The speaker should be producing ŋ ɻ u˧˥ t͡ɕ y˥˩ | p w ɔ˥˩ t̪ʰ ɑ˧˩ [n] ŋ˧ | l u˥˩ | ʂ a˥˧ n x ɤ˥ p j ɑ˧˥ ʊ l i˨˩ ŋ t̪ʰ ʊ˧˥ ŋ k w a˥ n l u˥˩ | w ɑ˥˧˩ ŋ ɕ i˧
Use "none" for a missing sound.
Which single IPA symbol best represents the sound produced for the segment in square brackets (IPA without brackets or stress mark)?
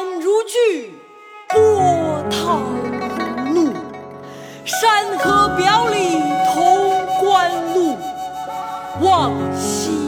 none